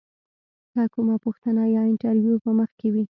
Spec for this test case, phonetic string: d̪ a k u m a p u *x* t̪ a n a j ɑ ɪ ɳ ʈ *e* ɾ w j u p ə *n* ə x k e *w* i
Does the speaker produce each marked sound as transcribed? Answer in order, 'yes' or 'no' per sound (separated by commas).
yes, no, no, yes